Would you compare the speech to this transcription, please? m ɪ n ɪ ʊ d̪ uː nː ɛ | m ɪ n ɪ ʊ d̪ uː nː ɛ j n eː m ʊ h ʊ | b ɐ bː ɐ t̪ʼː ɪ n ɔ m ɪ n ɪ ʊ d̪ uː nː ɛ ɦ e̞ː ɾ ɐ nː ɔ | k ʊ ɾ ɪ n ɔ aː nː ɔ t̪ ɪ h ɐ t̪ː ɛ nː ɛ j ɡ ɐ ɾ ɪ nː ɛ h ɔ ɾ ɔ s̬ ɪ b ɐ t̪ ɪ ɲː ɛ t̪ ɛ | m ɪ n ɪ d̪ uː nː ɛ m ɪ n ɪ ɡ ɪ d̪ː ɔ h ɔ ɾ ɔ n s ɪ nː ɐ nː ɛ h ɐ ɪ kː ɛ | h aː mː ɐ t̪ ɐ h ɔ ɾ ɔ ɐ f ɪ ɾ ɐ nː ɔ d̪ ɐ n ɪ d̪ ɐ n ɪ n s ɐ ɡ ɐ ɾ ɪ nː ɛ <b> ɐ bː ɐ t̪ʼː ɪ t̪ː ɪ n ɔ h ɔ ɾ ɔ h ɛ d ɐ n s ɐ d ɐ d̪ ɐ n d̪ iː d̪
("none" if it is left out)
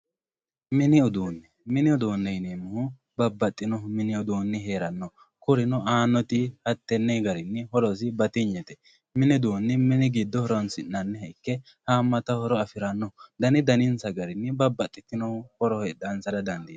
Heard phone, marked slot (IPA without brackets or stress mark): b